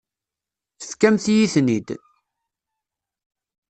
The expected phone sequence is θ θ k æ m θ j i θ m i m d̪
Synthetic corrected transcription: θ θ k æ m θ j i θ n i d̪